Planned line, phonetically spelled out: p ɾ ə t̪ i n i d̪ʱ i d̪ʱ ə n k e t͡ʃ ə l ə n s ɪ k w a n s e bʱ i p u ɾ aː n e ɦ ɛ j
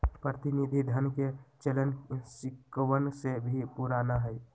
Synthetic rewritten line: p ɾ ə t̪ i n i d̪ʱ i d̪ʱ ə n k e t͡ʃ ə l ə n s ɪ k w ə n s e bʱ i p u ɾ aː n a ɦ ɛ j